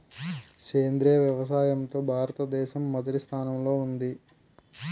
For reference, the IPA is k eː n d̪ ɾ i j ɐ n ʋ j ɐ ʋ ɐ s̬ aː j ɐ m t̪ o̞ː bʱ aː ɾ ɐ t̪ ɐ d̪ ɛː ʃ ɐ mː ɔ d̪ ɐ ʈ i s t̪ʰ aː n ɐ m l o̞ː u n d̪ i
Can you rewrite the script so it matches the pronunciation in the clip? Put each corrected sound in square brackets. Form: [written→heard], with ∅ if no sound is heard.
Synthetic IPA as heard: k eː n d̪ ɾ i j ɐ [n→∅] ʋ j ɐ ʋ ɐ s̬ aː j ɐ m t̪ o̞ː bʱ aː ɾ ɐ t̪ ɐ d̪ ɛː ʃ ɐ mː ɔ d̪ ɐ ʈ i s t̪ʰ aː n ɐ m l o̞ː u n d̪ i